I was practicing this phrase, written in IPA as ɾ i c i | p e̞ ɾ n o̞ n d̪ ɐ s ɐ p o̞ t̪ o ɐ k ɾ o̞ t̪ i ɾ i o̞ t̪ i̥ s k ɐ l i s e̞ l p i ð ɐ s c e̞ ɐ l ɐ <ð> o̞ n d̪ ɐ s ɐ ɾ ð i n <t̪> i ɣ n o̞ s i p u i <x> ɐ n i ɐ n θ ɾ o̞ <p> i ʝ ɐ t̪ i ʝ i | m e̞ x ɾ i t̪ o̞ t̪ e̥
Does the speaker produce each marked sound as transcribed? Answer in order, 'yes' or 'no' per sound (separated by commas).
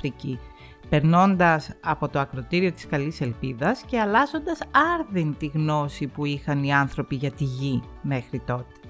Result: no, yes, yes, yes